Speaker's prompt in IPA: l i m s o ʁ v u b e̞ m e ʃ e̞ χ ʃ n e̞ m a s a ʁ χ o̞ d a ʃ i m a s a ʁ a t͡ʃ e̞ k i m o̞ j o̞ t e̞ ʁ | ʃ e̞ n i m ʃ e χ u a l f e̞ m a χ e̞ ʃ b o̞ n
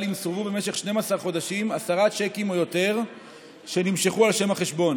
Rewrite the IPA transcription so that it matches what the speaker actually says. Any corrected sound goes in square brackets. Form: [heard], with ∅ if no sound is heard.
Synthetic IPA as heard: l i m s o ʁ v u b e̞ m e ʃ e̞ χ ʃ n e̞ m a s a ʁ χ o̞ d a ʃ i m a s a ʁ a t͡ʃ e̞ k i m o̞ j o̞ t e̞ ʁ | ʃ e̞ n i m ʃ e χ u a l [ʃ] e̞ m a χ e̞ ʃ b o̞ n